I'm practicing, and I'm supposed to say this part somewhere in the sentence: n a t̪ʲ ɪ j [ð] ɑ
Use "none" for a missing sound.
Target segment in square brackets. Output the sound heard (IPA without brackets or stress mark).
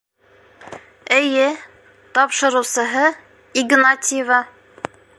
v